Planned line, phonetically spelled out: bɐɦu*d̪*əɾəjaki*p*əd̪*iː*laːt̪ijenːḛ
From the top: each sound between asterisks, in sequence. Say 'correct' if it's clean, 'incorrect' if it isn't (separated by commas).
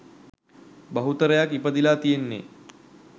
incorrect, correct, incorrect